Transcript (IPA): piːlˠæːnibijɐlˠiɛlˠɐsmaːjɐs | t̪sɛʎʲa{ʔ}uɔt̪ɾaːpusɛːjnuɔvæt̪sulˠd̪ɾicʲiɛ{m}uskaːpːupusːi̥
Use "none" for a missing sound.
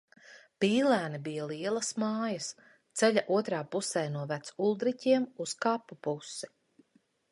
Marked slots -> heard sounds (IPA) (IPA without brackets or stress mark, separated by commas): ʔ, m